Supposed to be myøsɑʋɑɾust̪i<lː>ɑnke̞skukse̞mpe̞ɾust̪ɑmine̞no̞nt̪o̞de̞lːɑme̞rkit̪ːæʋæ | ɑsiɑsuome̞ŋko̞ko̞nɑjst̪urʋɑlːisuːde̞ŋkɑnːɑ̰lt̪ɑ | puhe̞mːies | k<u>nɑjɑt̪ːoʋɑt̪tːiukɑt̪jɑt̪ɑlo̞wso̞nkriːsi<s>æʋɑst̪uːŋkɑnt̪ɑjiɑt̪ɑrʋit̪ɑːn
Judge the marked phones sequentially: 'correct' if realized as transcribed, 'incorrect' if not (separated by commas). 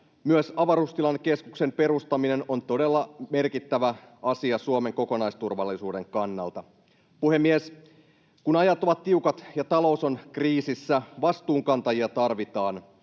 incorrect, correct, incorrect